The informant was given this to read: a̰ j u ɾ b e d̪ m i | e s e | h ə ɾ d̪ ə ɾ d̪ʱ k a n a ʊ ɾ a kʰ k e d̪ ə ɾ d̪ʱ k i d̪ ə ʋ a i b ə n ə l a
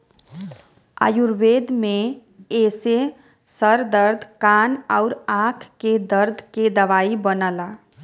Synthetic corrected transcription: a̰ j u ɾ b e d̪ m e | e s e | s ə ɾ d̪ ə ɾ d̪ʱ k a n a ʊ ɾ a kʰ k e d̪ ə ɾ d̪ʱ k e d̪ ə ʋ a i b ə n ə l a

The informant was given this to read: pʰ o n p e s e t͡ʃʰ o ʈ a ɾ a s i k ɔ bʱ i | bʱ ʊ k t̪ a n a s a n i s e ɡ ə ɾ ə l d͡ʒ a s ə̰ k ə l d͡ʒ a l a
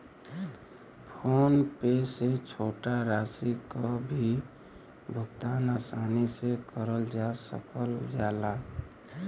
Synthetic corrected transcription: pʰ o n p e s e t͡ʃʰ o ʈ a ɾ a s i k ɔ bʱ i | bʱ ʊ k t̪ a n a s a n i s e k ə ɾ ə l d͡ʒ a s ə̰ k ə l d͡ʒ a l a

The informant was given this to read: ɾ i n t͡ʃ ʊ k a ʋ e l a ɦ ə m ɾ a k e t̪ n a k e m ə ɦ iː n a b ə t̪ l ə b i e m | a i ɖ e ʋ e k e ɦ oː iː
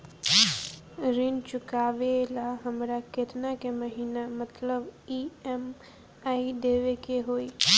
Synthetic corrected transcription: ɾ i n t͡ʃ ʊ k a ʋ e l a ɦ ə m ɾ a k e t̪ n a k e m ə ɦ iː n a m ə t̪ l ə b i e m | a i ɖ e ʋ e k e ɦ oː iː

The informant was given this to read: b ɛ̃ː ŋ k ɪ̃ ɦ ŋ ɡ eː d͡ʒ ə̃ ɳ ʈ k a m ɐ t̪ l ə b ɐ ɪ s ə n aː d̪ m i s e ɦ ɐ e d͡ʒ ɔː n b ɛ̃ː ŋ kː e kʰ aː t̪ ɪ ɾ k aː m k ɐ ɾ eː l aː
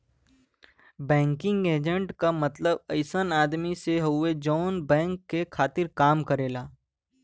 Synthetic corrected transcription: b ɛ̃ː ŋ k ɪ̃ ŋ ɡ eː d͡ʒ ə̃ ɳ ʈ k a m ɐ t̪ l ə b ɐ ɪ s ə n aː d̪ m i s e ɦ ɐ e d͡ʒ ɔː n b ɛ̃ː ŋ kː e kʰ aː t̪ ɪ ɾ k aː m k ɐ ɾ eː l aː

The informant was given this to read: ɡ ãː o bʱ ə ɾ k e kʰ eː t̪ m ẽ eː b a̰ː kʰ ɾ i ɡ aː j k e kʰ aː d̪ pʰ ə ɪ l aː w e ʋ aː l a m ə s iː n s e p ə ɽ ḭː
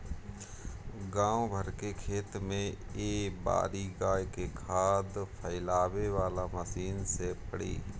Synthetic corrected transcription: ɡ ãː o bʱ ə ɾ k e kʰ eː t̪ m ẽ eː b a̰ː ɾ i ɡ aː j k e kʰ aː d̪ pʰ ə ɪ l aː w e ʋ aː l a m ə s iː n s e p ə ɽ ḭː

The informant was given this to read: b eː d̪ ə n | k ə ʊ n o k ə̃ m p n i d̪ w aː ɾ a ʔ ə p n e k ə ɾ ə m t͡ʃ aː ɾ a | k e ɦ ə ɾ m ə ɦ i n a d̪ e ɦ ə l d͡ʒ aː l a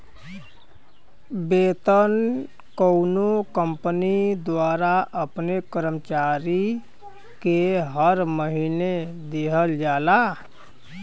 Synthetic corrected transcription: b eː t̪ ə n | k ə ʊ n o k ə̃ m p n i d̪ w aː ɾ a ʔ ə p n e k ə ɾ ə m t͡ʃ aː ɾ i | k e ɦ ə ɾ m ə ɦ i n e d̪ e ɦ ə l d͡ʒ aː l a

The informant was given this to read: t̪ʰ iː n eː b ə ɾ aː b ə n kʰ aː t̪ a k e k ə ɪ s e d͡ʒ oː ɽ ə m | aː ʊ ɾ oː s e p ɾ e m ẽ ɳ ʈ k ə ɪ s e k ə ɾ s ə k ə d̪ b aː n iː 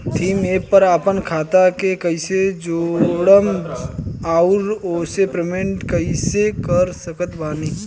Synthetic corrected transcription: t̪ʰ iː m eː p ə ɾ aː p ə n kʰ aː t̪ a k e k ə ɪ s e d͡ʒ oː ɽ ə m | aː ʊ ɾ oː s e p ɾ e m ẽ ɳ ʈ k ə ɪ s e k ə ɾ s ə k ə t̪ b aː n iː

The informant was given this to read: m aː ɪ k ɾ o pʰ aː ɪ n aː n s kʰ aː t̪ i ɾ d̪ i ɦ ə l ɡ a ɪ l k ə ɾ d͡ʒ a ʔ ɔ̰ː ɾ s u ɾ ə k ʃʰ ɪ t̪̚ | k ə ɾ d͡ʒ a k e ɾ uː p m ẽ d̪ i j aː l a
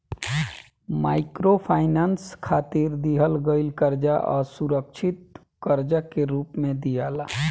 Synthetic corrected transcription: m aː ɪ k ɾ o pʰ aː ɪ n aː n s kʰ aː t̪ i ɾ d̪ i ɦ ə l ɡ ə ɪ l k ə ɾ d͡ʒ a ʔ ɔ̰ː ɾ s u ɾ ə k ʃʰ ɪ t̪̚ | k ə ɾ d͡ʒ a k e ɾ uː p m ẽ d̪ i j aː l a

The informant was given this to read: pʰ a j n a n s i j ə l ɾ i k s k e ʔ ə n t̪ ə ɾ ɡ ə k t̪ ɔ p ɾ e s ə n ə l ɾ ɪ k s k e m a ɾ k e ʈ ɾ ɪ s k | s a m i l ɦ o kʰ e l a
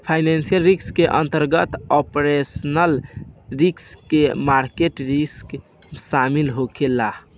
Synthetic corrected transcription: pʰ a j n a n s i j ə l ɾ i k s k e ʔ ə n t̪ ə ɾ ɡ ə t̪ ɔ p ɾ e s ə n ə l ɾ i k s k e m a ɾ k e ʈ ɾ i s k | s a m i l ɦ o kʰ e l a

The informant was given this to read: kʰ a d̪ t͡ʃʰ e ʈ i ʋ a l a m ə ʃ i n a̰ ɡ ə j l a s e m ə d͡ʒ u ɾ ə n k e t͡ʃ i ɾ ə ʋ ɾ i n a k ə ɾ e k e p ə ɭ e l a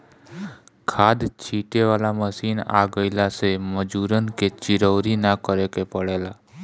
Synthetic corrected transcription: kʰ a d̪ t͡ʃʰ i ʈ e ʋ a l a m ə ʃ i n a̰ ɡ ə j l a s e m ə d͡ʒ u ɾ ə n k e t͡ʃ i ɾ ə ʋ ɾ i n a k ə ɾ e k e p ə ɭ e l a

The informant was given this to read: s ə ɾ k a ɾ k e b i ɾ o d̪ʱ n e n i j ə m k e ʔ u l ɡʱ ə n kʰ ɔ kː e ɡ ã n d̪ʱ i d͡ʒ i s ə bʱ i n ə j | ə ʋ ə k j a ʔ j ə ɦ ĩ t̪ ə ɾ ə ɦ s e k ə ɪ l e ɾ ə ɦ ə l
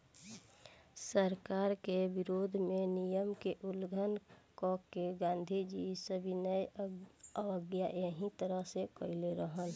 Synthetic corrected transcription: s ə ɾ k a ɾ k e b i ɾ o d̪ʱ m e n i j ə m k e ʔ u l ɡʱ ə n k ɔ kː e ɡ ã n d̪ʱ i d͡ʒ i s ə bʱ i n ə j | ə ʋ ə ɡ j a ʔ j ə ɦ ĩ t̪ ə ɾ ə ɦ s e k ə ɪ l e ɾ ə ɦ ə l

